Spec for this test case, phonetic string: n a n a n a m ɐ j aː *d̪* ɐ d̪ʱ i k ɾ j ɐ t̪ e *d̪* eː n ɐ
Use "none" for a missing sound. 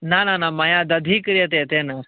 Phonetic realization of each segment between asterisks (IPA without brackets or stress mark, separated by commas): d̪, t̪